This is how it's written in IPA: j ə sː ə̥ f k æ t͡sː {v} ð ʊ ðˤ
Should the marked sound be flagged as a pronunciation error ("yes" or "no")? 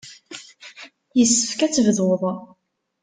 no